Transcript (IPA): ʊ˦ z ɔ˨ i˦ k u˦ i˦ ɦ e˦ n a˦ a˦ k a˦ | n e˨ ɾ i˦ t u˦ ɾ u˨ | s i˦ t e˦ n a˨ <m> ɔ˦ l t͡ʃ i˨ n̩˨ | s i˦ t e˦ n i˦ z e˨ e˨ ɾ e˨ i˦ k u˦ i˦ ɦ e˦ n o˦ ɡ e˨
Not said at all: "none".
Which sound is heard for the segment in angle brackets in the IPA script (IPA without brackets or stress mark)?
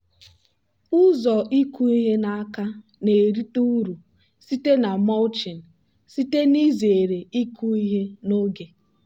m